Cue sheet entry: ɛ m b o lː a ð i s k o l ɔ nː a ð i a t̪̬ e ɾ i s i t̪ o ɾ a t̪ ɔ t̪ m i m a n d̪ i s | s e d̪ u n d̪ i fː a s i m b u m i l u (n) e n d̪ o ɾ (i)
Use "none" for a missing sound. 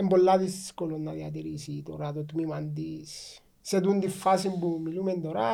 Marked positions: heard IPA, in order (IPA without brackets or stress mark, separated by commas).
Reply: m, a